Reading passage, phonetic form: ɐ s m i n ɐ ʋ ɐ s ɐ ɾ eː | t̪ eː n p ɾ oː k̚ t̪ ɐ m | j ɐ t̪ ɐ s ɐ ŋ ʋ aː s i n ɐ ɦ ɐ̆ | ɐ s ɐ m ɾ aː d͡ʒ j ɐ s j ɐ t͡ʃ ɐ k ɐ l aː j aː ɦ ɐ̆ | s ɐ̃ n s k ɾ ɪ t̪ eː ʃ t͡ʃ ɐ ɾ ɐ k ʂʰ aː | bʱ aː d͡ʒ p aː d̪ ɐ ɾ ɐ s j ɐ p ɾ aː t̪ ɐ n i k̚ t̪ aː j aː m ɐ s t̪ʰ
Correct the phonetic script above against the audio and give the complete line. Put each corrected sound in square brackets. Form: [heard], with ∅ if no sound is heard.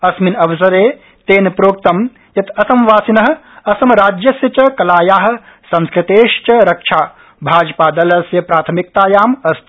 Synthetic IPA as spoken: ɐ s m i n ɐ ʋ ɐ s ɐ ɾ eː | t̪ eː n p ɾ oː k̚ t̪ ɐ m | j ɐ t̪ ɐ s ɐ [m] ʋ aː s i n ɐ ɦ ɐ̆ | ɐ s ɐ m ɾ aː d͡ʒ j ɐ s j ɐ t͡ʃ ɐ k ɐ l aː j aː ɦ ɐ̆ | s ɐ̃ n s k ɾ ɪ t̪ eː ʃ t͡ʃ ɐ ɾ ɐ k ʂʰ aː | bʱ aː d͡ʒ p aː d̪ ɐ [l] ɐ s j ɐ p ɾ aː [t̪ʰ] ɐ [m] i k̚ t̪ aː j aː m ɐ s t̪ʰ